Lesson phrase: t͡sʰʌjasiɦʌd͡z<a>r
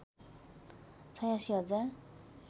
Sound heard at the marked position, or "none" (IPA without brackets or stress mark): a